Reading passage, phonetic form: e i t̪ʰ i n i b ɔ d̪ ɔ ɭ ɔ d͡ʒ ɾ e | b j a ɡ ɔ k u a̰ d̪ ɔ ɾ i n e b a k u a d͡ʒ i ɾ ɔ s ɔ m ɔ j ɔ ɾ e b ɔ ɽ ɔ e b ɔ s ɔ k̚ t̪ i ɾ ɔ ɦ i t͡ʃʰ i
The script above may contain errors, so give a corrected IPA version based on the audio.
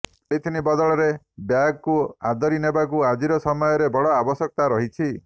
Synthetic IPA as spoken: e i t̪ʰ i n i b ɔ d̪ ɔ ɭ ɔ ɾ e | b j a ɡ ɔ k u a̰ d̪ ɔ ɾ i n e b a k u a d͡ʒ i ɾ ɔ s ɔ m ɔ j ɔ ɾ e b ɔ ɽ ɔ a b ɔ s ɔ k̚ t̪ a ɾ ɔ ɦ i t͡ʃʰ i